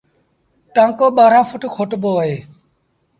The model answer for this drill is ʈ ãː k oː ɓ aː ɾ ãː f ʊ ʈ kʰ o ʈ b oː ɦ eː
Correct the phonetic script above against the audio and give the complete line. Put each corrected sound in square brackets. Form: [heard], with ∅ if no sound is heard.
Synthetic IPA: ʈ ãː k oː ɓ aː ɾ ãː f ʊ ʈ kʰ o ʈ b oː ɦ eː